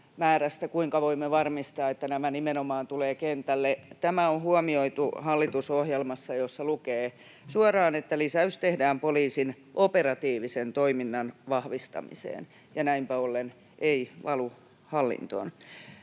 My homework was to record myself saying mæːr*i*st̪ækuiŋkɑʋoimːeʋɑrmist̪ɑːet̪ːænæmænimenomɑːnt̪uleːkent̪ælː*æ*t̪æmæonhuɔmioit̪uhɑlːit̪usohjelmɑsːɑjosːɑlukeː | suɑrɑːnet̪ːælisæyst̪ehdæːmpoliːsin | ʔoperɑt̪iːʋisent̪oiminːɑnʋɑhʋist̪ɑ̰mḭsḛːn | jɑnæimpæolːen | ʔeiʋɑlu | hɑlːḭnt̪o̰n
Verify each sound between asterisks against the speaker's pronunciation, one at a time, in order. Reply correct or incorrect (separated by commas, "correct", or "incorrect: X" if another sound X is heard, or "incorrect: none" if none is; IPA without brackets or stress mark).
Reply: incorrect: æ, incorrect: e